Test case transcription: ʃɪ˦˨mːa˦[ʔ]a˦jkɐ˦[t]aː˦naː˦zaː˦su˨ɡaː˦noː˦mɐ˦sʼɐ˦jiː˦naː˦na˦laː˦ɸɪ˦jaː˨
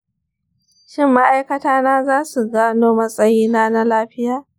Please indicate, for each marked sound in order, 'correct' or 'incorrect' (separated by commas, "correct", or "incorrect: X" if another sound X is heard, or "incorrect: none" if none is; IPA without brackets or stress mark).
correct, correct